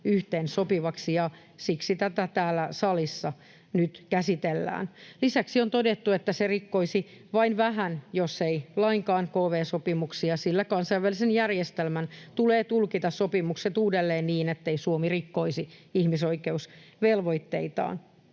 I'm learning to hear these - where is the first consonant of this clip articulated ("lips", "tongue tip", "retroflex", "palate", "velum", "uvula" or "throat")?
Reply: throat